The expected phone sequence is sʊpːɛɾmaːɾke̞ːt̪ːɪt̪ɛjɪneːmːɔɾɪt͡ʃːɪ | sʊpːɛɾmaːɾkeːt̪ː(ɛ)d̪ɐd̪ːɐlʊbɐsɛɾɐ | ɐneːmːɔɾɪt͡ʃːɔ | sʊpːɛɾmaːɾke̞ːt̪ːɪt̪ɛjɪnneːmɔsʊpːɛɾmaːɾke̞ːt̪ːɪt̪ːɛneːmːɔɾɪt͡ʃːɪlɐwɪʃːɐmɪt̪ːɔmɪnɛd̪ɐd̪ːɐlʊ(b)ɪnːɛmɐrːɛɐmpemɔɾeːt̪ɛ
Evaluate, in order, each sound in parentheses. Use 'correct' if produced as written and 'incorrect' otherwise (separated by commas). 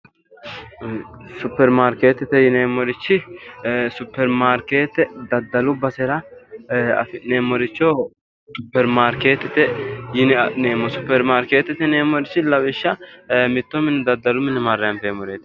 correct, incorrect